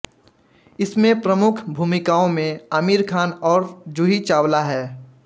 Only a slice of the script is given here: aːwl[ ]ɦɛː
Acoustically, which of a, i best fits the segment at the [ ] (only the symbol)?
a